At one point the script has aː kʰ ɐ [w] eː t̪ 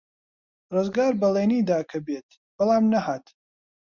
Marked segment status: incorrect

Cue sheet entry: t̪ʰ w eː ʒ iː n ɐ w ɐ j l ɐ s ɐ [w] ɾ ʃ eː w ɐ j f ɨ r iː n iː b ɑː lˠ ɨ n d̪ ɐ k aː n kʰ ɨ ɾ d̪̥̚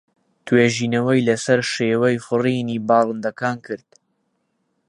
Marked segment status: incorrect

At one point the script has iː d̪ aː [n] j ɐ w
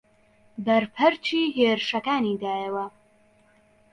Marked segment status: incorrect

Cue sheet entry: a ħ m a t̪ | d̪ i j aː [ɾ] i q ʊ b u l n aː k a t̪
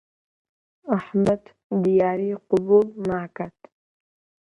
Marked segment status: correct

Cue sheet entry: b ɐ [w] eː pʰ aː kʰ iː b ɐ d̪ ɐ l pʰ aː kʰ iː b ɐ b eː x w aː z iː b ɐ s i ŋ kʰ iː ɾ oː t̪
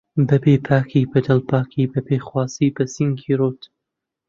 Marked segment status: incorrect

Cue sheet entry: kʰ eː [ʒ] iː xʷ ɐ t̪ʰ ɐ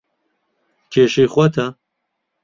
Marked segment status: incorrect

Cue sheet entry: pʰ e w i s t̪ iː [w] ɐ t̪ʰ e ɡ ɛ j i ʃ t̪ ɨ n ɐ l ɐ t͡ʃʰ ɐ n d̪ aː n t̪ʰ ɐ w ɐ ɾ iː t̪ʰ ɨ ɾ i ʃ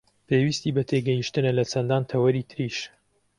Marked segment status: incorrect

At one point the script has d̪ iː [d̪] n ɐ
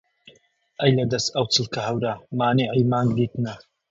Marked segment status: incorrect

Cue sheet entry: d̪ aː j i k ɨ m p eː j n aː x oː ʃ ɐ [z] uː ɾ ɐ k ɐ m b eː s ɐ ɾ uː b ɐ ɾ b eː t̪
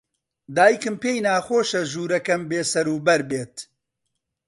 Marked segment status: incorrect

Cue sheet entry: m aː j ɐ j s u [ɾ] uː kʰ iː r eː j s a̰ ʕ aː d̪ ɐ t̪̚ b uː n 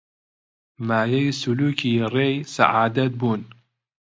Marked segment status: incorrect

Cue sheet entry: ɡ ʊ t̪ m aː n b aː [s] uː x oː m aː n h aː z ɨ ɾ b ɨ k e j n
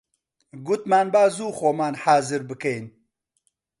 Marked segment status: incorrect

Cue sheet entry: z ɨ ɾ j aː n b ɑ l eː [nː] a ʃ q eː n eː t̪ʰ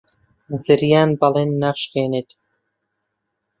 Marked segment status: correct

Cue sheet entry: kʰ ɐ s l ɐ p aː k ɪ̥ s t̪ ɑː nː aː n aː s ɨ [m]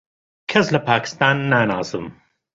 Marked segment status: correct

